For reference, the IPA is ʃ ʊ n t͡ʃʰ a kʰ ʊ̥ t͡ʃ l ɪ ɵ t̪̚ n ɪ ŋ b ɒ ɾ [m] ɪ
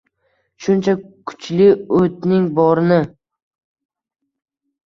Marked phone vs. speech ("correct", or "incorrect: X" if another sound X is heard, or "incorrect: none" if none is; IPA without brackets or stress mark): incorrect: n